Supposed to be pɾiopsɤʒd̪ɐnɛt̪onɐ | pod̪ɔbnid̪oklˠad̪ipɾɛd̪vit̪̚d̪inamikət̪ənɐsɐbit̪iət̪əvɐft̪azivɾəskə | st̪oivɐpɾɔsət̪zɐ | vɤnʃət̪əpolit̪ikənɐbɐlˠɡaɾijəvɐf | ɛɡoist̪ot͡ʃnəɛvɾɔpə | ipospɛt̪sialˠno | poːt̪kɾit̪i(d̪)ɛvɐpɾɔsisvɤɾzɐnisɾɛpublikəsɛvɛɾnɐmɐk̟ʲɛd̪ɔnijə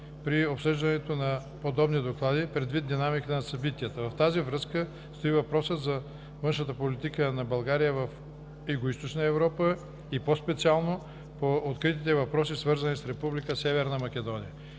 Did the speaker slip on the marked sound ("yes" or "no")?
yes